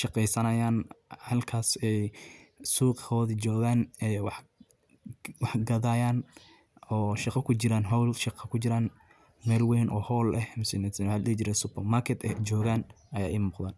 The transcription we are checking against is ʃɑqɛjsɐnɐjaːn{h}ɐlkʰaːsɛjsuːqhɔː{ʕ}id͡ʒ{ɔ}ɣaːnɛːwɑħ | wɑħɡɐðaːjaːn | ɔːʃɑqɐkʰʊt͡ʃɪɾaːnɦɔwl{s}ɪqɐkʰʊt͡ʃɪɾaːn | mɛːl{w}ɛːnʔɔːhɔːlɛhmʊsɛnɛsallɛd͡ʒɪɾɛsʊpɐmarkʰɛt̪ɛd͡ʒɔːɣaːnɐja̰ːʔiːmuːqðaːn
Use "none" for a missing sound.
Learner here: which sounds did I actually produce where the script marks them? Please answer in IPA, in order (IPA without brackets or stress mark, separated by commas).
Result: h, ð, ɔː, ʃ, w